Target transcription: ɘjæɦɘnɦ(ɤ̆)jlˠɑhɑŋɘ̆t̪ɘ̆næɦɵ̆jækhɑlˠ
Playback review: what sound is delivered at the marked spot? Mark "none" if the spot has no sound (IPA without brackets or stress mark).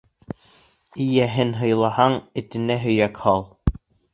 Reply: ɤ̆